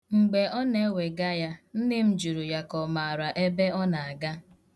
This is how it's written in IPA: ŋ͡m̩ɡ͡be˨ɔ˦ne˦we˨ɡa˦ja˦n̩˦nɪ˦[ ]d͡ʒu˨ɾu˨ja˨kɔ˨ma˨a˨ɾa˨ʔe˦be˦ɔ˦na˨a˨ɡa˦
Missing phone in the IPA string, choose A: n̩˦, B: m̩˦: B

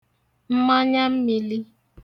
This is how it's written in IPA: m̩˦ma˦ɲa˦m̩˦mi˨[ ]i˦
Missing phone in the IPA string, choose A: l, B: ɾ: A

